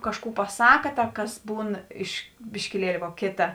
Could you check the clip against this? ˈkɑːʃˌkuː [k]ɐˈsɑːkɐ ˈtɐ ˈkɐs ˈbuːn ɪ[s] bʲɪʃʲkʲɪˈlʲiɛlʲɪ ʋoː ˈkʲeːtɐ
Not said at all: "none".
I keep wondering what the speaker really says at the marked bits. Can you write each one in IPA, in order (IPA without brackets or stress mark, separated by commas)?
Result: p, ʃ